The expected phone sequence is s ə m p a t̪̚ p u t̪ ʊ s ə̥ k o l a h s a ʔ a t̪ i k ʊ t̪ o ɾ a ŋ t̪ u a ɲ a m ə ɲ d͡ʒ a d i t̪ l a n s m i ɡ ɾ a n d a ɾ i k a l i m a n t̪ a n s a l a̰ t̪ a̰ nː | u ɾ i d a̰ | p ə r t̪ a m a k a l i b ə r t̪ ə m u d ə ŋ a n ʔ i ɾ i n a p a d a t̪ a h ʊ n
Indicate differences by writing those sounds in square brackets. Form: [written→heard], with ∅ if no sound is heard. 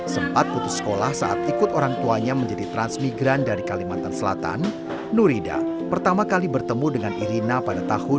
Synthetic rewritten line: s ə m p a t̪̚ p u t̪ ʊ s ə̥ k o l a h s a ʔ a t̪ i k ʊ t̪ o ɾ a ŋ t̪ u a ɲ a m ə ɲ d͡ʒ a d i t̪ [l→ɾ] a n s m i ɡ ɾ a n d a ɾ i k a l i m a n t̪ a n s [a→ə] l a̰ t̪ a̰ nː | u ɾ i d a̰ | p ə r t̪ a m a k a l i b ə r t̪ ə m u d ə ŋ a n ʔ i ɾ i n a p a d a t̪ a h ʊ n